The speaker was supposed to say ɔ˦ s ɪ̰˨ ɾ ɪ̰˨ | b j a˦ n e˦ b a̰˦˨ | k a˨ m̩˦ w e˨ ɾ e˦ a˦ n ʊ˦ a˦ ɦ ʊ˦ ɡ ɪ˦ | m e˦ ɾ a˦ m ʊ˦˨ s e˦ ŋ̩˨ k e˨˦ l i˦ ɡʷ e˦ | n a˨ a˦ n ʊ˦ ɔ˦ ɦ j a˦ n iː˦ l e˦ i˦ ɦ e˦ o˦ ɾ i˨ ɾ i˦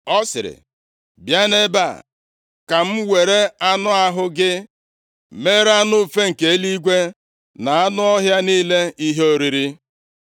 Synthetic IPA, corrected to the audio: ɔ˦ s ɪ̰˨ ɾ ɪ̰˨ | b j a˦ n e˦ b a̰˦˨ | k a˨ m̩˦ w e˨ ɾ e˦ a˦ n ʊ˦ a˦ ɦ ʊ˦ ɡ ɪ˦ | m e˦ ɾ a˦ n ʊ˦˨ f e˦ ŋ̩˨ k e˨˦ l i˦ ɡʷ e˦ | n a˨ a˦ n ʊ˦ ɔ˦ ɦ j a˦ n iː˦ l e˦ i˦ ɦ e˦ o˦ ɾ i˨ ɾ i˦